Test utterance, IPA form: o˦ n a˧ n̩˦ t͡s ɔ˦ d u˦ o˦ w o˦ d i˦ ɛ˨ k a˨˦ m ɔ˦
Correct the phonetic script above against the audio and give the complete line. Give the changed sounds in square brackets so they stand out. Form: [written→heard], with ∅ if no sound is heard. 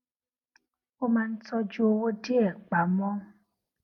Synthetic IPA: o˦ [n→m] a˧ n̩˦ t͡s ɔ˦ [d→d͡ʒ] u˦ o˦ w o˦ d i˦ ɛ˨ [k→k͡p] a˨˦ m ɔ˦